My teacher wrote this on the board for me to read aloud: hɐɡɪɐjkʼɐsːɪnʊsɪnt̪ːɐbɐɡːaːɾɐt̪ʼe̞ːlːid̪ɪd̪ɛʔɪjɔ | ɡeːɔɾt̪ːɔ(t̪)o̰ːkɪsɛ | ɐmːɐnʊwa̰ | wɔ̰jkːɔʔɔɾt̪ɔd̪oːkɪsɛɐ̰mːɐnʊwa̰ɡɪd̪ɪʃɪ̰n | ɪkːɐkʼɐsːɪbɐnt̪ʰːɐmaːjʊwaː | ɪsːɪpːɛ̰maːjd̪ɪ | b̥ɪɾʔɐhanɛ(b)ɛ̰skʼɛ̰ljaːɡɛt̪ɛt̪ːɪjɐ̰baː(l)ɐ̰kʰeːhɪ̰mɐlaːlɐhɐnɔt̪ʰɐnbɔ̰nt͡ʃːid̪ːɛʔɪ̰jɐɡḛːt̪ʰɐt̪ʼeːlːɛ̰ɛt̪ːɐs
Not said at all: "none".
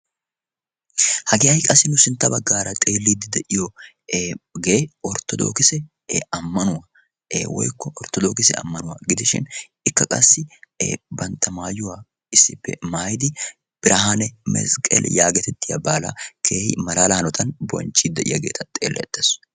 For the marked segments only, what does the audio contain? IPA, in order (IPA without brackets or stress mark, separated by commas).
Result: d̪, m, l